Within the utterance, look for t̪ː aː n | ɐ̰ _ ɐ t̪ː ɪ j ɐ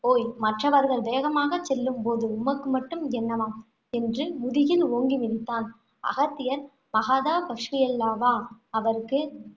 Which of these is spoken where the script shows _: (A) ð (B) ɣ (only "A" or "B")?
B